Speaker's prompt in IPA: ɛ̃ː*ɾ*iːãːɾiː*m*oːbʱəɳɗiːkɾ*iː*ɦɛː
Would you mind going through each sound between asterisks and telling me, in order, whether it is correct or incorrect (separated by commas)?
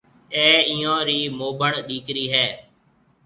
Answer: incorrect, correct, correct